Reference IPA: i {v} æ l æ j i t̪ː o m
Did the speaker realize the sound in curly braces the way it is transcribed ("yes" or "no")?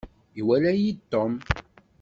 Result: no